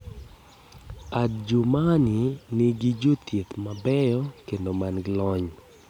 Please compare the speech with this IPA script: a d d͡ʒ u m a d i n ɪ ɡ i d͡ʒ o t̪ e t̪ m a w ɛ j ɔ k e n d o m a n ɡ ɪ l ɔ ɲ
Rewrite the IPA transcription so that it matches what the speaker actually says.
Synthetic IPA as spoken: a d d͡ʒ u m a n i n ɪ ɡ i d͡ʒ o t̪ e t̪ m a b ɛ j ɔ k e n d o m a n ɡ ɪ l ɔ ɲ